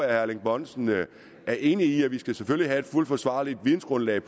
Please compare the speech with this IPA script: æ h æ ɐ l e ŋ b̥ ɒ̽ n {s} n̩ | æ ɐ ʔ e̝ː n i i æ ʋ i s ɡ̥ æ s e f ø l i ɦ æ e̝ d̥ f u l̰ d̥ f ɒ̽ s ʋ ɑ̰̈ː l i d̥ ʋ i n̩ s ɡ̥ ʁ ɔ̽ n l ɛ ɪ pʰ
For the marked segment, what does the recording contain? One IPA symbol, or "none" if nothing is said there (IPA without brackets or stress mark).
s